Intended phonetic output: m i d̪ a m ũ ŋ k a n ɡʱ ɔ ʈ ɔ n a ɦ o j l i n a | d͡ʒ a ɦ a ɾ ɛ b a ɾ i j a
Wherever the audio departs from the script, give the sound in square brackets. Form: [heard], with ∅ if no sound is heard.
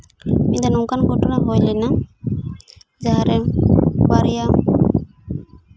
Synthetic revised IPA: m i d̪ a [n] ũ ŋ k a n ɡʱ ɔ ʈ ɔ n a ɦ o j l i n a | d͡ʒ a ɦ a ɾ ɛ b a ɾ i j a